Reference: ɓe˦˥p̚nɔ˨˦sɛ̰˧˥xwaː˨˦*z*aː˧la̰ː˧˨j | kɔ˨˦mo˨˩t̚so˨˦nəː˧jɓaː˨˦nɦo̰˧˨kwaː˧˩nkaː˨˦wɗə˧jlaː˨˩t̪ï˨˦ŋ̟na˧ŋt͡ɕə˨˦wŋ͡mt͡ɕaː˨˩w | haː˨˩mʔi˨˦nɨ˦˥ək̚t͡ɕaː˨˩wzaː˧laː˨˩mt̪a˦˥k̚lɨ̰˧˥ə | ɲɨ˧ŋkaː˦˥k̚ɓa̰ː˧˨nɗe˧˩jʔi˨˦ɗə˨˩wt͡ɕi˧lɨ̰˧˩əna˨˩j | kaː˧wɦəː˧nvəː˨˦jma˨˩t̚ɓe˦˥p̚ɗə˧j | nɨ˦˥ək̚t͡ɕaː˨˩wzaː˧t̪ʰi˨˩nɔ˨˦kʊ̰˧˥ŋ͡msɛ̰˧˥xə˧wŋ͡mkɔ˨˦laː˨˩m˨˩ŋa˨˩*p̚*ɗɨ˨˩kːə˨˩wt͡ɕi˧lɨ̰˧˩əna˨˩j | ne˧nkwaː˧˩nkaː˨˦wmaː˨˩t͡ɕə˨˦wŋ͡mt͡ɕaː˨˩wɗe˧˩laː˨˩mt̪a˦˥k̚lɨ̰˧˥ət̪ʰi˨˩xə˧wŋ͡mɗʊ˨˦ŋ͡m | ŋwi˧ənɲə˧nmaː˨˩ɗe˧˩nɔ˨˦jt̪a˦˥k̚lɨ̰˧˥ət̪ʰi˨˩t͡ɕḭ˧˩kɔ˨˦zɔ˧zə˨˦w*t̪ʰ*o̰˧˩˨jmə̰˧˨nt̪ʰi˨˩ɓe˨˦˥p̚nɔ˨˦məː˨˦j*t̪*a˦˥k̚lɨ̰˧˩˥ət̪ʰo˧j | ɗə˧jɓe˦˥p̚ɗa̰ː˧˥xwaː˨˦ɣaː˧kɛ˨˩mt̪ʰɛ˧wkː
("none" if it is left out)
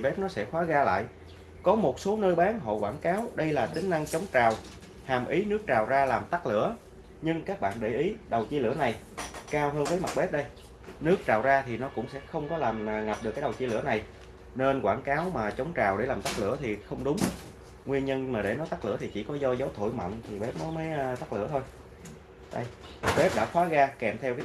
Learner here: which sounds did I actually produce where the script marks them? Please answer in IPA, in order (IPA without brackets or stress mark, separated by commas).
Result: ɣ, p̚, t̪ʰ, t̪